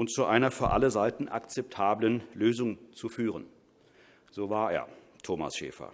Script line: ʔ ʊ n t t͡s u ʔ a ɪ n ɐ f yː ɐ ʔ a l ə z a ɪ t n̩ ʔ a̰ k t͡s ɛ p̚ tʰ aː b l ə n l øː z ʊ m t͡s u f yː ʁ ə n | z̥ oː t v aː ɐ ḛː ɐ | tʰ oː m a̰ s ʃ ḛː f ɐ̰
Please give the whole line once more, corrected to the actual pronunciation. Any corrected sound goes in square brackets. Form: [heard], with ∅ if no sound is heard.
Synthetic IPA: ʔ ʊ n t t͡s u ʔ a ɪ n ɐ f yː ɐ ʔ a l ə z a ɪ t n̩ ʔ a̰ k t͡s ɛ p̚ tʰ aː b l ə n l øː z ʊ [ŋ] t͡s u f yː ʁ ə n | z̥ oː [∅] v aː ɐ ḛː ɐ | tʰ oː m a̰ s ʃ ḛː f ɐ̰